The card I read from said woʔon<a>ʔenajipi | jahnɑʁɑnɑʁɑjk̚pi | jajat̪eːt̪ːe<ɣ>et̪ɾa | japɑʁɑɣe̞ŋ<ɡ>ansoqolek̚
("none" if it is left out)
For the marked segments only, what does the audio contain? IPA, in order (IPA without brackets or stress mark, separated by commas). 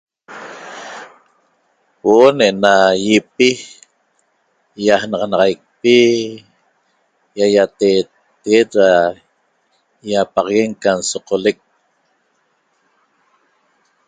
e, ɣ, k